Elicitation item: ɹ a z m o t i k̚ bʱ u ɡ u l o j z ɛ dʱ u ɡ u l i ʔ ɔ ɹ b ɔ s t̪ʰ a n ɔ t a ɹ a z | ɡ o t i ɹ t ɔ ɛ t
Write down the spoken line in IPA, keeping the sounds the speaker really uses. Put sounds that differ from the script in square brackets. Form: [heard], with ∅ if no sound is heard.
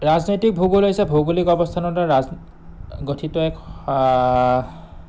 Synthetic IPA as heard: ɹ a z [n] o t i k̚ bʱ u ɡ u l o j [s] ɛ [bʱ] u ɡ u l i [k] ɔ [∅] b ɔ s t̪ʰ a n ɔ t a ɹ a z | ɡ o [tʰ] i [∅] t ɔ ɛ [k]